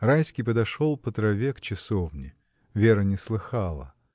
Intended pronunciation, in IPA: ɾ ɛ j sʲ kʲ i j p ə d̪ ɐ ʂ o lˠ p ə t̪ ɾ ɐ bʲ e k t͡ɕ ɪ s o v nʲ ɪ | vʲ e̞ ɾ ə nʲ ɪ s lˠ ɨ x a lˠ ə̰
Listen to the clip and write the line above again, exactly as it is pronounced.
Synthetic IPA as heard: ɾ a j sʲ kʲ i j p ə d̪ ɐ ʂ o lˠ p ə t̪ ɾ ɐ vʲ e k t͡ɕ ɪ s o v nʲ ɪ | vʲ e̞ ɾ ə nʲ ɪ s lˠ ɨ x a lˠ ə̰

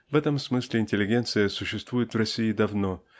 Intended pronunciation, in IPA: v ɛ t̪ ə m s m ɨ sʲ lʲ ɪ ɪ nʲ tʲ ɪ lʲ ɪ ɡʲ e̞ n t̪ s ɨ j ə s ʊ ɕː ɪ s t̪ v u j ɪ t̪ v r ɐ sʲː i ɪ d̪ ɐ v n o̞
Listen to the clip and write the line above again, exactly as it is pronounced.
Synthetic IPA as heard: v ɛ t̪ ə m s m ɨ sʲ lʲ ɪ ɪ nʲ tʲ ɪ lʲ ɪ ɡʲ e̞ n t̪ s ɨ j ə s ʊ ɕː ɪ s t̪ v u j ɪ t̪ v r ɐ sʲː i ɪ d̪ ɐ v n o̞

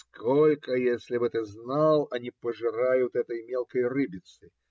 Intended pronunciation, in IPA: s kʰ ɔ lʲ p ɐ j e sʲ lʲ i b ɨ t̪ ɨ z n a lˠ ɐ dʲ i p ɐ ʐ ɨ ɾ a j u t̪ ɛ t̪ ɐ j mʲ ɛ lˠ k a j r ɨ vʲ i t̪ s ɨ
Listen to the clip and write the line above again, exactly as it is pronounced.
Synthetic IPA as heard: s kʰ ɔ lʲ k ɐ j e sʲ lʲ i b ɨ t̪ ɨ z n a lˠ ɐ nʲ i p ɐ ʐ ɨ ɾ a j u t̪ ɛ t̪ ɐ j mʲ ɛ lˠ k ɐ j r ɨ bʲ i t̪ s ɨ

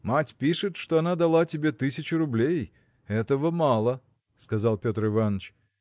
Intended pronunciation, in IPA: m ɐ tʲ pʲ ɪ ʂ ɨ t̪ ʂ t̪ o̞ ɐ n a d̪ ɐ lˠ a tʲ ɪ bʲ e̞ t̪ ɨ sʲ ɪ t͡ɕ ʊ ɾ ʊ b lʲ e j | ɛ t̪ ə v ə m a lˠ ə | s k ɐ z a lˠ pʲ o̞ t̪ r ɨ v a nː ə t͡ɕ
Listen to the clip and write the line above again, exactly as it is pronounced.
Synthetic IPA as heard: m a tʲ pʲ i ʂ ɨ t̪ ʂ t̪ o̞ ɐ n a d̪ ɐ lˠ a tʲ ɪ bʲ e̞ t̪ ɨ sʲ ɪ t͡ɕ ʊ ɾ ʊ b lʲ e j | ɛ t̪ ə v ə m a lˠ ə | s k ɐ z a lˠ pʲ o̞ t̪ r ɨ v a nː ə t͡ɕ

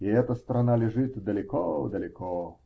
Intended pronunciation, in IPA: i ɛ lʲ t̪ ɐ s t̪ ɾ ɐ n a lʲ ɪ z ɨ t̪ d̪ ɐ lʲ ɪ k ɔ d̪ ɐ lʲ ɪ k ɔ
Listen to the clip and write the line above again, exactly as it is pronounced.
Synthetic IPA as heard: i ɛ t̪ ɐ s t̪ ɾ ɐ n a lʲ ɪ ʐ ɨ t̪ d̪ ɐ lʲ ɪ k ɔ d̪ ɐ lʲ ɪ k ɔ

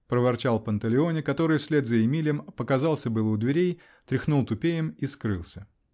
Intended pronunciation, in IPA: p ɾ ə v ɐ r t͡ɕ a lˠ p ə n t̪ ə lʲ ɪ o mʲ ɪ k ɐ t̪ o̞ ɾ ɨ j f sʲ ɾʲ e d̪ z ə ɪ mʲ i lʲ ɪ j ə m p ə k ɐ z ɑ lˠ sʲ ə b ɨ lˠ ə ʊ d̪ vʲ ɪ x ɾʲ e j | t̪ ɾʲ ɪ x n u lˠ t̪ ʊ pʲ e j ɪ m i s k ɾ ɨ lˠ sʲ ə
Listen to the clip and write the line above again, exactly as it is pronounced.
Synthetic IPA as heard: p ɾ ə v ɐ r t͡ɕ a lˠ p ə n t̪ ə lʲ ɪ o nʲ ɪ k ɐ t̪ o̞ ɾ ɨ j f sʲ lʲ e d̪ z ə ɪ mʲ i lʲ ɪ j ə m p ə k ɐ z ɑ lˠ sʲ ə b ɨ lˠ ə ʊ d̪ vʲ ɪ ɾʲ e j | t̪ ɾʲ ɪ x n u lˠ t̪ ʊ pʲ e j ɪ m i s k ɾ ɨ lˠ sʲ ə

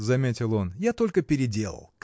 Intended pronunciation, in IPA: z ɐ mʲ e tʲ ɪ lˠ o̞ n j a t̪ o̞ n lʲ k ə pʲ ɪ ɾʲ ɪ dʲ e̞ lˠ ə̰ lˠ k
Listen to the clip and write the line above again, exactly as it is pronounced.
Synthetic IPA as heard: z ɐ mʲ e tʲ ɪ lˠ o̞ n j a t̪ o̞ lʲ k ə pʲ ɪ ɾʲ ɪ dʲ e̞ lˠ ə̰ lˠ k

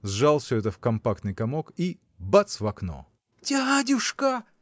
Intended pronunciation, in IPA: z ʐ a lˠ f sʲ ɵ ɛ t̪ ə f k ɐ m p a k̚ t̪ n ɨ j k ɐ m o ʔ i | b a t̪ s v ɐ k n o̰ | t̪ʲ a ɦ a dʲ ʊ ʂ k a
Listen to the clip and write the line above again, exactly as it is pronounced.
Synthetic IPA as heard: z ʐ a lˠ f sʲ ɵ ɛ t̪ ə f k ɐ m p a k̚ t̪ n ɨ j k ɐ m o k i | b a t̪ s v ɐ k n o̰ | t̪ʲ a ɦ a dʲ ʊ ʂ k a

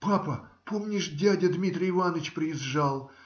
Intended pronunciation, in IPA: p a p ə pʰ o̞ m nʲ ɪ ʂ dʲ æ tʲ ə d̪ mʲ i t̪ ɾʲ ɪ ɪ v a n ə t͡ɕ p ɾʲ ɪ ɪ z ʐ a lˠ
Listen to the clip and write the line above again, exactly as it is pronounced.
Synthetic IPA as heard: p a p ə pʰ o̞ m nʲ ɪ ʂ dʲ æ dʲ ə d̪ mʲ i t̪ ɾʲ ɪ ɪ v a n ə t͡ɕ p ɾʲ ɪ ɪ z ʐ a lˠ

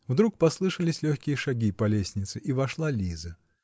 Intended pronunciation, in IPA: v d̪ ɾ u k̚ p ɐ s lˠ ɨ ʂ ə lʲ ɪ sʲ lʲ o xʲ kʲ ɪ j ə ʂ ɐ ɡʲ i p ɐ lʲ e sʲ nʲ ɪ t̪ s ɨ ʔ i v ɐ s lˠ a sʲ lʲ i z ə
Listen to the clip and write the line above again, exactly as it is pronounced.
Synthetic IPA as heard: v d̪ ɾ u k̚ p ɐ s lˠ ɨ ʂ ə lʲ ɪ sʲ lʲ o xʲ kʲ ɪ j ə ʂ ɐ ɡʲ i p ɐ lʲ e sʲ nʲ ɪ t̪ s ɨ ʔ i v ɐ ʂ lˠ a lʲ i z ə

